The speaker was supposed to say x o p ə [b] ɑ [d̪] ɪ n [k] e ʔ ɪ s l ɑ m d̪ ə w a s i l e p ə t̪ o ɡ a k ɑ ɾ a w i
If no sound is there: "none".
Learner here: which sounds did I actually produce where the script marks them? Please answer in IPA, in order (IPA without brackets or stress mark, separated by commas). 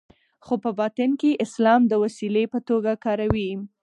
b, t̪, k